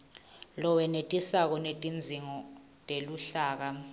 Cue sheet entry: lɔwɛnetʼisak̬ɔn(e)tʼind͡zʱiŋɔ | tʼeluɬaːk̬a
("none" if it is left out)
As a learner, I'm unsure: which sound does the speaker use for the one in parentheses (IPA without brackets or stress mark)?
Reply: e